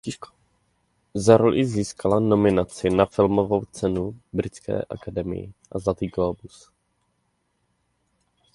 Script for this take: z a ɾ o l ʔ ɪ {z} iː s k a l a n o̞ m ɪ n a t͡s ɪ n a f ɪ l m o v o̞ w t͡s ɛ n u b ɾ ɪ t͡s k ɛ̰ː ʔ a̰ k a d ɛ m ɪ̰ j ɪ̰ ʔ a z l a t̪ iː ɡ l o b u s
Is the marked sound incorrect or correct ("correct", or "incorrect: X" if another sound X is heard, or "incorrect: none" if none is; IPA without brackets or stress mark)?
correct